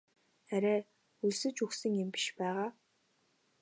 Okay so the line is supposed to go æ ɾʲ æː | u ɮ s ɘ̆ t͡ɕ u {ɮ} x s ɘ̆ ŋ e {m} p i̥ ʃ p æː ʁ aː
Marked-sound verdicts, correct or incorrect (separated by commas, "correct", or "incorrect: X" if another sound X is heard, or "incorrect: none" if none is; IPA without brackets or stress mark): incorrect: none, correct